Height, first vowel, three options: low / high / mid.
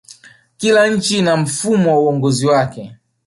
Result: high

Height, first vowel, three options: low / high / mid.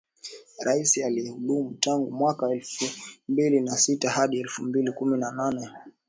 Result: low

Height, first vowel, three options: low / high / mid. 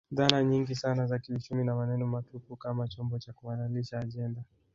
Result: low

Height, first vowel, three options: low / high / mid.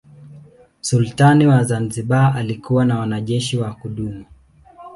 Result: high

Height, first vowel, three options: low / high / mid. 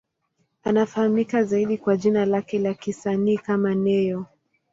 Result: low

